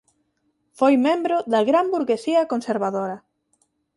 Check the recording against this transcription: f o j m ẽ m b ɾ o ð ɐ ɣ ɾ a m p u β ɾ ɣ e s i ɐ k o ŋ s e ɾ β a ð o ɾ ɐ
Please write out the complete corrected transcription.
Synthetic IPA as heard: f o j m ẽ m b ɾ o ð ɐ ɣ ɾ a m b u ɾ ɣ e s i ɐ k o n s e ɾ β a ð o ɾ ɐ